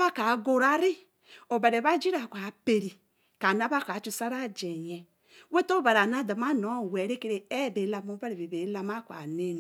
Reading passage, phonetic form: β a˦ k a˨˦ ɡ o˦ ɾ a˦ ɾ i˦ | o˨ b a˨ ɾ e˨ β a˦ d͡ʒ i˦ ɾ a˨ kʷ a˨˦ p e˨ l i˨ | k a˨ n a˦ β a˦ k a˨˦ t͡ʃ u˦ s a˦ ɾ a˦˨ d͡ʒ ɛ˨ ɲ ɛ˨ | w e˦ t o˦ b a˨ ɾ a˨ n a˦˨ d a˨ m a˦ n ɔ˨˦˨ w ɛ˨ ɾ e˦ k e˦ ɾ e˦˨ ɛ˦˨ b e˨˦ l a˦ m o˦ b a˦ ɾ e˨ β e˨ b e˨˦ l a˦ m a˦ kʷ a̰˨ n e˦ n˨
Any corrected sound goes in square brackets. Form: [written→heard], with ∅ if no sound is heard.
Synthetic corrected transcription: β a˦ k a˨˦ ɡ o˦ ɾ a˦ ɾ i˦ | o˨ b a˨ ɾ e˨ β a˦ d͡ʒ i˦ ɾ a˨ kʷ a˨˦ p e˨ [l→ɾ] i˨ | k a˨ n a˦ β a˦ k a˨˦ t͡ʃ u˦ s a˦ ɾ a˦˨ d͡ʒ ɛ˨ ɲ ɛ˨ | w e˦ t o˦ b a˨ ɾ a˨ n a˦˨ d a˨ m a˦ n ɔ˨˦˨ w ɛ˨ ɾ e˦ k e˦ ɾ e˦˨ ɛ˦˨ b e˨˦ l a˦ m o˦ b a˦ ɾ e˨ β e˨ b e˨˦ l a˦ m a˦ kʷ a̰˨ n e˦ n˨